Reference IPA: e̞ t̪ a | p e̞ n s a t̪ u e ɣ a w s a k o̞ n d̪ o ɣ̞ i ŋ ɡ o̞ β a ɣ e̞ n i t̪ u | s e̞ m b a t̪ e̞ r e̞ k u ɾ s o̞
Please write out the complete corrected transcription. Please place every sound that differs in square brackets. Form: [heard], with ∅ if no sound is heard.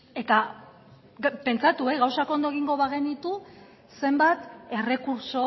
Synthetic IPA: e̞ t̪ a | p e̞ n [t͡s] a t̪ u e ɣ a w s a k o̞ n d̪ o ɣ̞ i ŋ ɡ o̞ β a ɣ e̞ n i t̪ u | s e̞ m b a t̪ e̞ r e̞ k u ɾ s o̞